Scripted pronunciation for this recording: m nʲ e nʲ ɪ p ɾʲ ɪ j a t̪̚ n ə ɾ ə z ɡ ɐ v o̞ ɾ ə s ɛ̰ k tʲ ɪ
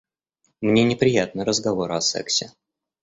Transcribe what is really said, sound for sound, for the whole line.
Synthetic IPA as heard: m nʲ e nʲ ɪ p ɾʲ ɪ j a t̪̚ n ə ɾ ə z ɡ ɐ v o̞ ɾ ɐ s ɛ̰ k sʲ ɪ